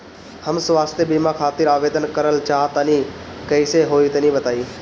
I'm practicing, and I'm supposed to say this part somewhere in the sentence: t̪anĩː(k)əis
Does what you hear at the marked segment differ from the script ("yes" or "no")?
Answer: no